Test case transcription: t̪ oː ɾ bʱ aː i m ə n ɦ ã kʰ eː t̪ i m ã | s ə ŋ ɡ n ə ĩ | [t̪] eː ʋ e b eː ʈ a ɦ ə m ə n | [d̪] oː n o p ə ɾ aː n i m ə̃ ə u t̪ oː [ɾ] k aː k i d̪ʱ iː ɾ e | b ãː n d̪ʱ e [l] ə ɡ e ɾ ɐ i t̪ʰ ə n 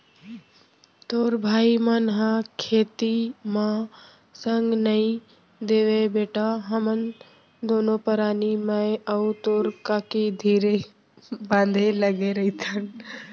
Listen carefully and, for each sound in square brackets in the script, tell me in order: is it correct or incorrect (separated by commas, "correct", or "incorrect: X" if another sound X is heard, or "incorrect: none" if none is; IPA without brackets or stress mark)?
incorrect: d̪, correct, correct, correct